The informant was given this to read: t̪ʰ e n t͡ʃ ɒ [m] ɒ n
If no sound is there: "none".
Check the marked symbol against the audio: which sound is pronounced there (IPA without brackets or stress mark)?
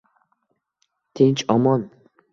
m